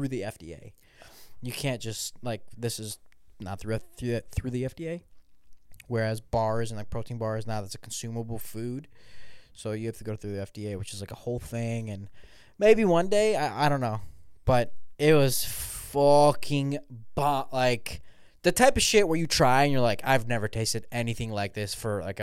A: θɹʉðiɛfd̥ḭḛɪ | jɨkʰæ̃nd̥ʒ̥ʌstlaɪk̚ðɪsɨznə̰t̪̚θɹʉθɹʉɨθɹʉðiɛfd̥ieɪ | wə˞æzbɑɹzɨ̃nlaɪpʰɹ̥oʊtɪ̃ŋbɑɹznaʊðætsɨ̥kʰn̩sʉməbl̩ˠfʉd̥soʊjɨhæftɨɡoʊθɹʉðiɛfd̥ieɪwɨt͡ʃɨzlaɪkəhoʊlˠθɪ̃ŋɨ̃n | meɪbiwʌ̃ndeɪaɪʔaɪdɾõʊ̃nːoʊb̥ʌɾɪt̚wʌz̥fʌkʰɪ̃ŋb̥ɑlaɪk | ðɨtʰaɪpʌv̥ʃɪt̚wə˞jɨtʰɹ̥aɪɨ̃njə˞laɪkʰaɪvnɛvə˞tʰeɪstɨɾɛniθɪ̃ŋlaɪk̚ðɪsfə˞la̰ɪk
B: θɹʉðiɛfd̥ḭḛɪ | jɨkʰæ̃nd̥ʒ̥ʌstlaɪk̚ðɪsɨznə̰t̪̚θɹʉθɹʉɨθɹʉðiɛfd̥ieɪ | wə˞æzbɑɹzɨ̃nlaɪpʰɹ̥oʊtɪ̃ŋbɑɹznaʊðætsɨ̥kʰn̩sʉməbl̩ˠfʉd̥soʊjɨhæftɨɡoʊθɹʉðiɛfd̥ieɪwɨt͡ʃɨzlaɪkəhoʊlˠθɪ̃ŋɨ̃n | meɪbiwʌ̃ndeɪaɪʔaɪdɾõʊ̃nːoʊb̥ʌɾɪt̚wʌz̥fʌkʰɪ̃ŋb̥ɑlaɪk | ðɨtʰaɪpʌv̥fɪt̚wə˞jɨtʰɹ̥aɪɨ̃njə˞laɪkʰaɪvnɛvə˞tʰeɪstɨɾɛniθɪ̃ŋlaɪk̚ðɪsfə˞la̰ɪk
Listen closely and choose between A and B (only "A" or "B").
A